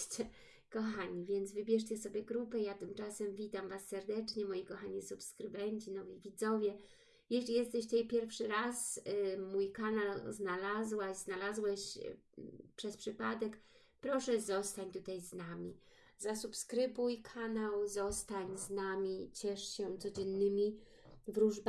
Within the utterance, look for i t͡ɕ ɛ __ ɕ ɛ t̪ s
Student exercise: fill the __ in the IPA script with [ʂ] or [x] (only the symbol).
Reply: ʂ